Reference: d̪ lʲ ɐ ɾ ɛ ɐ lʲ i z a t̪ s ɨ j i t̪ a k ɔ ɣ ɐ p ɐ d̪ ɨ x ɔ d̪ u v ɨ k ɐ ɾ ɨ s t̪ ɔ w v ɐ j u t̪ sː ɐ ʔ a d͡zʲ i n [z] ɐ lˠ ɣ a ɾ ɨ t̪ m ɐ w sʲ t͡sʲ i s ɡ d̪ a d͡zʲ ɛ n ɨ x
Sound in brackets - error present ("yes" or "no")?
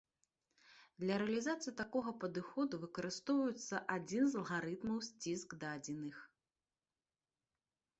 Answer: no